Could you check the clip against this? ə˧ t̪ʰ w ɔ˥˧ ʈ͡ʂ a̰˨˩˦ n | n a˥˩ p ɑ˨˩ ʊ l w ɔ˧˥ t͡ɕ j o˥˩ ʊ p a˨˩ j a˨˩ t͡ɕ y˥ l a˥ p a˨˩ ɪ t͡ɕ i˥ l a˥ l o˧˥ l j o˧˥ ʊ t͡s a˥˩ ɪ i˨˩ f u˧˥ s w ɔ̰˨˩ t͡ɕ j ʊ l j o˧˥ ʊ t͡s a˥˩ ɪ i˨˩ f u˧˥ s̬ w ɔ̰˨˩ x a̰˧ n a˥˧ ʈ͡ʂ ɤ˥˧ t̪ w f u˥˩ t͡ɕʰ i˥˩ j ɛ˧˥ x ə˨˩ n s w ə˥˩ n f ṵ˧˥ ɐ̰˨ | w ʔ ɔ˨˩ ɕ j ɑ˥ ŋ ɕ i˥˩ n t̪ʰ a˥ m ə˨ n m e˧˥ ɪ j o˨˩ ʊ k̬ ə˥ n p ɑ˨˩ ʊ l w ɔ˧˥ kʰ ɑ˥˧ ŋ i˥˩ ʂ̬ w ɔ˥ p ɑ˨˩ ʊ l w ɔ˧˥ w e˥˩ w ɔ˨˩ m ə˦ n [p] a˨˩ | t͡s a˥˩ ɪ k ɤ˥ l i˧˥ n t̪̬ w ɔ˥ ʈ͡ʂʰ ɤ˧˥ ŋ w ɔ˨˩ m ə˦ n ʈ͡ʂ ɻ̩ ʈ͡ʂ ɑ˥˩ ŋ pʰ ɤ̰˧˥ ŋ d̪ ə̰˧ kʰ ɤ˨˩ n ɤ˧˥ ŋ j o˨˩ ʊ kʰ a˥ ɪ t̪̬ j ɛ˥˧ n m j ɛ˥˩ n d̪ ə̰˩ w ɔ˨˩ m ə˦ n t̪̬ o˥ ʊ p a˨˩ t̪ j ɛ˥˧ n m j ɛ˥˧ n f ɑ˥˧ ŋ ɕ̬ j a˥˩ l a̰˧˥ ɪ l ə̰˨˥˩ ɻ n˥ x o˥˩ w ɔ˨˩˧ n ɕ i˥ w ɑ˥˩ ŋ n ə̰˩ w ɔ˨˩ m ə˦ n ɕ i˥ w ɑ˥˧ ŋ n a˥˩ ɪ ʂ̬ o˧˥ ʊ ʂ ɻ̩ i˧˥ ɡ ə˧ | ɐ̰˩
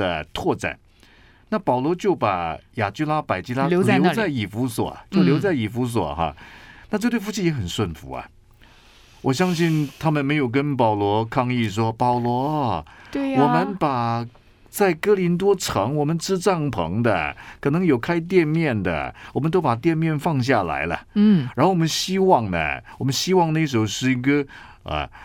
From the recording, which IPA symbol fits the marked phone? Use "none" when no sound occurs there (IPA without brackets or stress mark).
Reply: p